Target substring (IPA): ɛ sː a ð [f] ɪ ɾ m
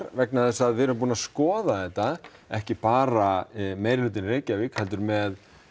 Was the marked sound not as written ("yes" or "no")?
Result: yes